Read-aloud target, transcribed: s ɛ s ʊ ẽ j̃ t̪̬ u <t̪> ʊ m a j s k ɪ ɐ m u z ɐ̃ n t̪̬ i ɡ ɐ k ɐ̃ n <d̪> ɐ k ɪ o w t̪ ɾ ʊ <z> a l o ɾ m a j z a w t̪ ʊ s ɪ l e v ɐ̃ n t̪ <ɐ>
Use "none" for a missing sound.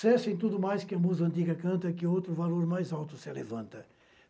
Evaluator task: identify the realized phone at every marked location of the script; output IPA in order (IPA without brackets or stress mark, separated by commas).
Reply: d̪, t̪, v, ɐ